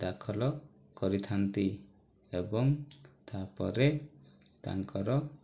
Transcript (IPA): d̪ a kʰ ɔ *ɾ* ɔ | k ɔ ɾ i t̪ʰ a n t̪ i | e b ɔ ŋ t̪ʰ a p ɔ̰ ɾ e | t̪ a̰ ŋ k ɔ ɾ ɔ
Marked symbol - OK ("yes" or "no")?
no